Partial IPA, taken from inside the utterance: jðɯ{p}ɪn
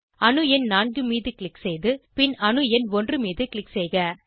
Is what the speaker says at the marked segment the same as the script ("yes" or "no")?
yes